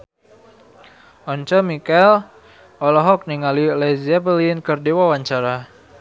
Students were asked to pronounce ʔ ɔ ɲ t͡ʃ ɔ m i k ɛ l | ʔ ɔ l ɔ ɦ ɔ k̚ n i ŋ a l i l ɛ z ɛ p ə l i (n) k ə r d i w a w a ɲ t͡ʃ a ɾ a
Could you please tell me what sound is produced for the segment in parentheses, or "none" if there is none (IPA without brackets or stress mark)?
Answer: n